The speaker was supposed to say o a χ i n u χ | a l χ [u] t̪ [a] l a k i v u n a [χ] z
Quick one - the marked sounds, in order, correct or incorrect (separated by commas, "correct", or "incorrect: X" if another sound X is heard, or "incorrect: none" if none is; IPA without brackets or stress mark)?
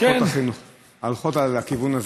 incorrect: o, correct, incorrect: none